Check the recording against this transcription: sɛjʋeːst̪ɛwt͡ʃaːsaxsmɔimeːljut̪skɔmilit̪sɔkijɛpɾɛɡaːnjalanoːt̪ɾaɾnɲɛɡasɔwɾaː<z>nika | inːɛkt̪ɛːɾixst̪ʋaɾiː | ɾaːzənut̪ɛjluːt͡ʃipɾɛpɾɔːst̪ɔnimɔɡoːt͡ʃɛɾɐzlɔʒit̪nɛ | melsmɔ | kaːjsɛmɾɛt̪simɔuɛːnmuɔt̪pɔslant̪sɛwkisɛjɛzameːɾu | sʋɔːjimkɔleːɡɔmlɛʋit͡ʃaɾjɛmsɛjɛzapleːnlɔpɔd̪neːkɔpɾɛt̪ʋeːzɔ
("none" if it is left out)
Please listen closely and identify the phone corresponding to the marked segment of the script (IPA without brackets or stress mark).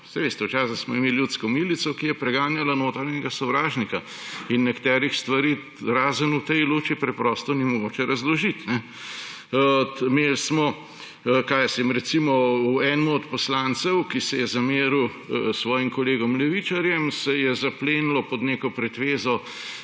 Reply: ʒ